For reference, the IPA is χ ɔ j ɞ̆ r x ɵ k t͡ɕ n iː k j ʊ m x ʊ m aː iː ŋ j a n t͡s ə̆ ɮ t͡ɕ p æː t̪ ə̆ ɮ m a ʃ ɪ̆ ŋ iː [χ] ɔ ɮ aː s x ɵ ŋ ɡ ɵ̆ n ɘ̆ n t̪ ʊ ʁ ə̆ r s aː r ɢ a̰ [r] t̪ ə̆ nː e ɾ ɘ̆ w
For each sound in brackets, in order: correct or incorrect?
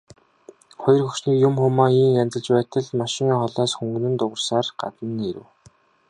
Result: correct, incorrect

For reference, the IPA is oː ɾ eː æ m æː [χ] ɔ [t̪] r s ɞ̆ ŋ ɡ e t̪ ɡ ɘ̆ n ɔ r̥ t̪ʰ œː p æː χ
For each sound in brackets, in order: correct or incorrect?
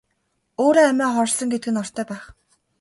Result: correct, incorrect

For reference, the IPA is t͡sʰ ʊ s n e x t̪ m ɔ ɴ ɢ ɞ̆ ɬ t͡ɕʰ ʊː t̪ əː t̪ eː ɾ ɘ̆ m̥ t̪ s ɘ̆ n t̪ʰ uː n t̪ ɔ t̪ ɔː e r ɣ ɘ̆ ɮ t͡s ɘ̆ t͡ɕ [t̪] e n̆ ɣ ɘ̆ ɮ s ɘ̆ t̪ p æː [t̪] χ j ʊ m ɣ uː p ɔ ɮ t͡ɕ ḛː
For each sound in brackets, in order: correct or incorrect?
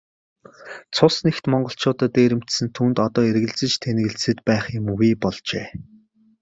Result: incorrect, incorrect

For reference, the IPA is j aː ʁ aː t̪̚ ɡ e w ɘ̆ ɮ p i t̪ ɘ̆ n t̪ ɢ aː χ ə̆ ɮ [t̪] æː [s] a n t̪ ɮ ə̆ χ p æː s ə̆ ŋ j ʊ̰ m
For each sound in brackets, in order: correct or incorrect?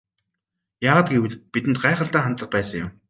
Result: correct, incorrect

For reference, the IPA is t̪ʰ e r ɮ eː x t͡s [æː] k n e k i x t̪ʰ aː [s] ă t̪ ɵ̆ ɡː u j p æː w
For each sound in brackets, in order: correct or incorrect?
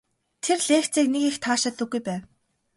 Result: incorrect, incorrect

